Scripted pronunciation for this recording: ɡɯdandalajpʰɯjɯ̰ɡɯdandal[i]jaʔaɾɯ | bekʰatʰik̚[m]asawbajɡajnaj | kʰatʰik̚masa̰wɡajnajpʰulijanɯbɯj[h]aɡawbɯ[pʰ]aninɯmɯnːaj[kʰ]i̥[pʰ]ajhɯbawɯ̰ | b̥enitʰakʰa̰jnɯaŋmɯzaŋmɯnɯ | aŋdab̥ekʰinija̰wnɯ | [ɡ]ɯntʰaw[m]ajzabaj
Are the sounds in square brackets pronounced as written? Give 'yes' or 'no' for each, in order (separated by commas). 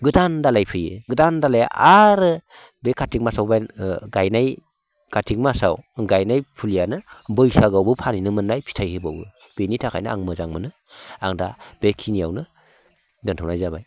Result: no, yes, no, yes, no, no, no, no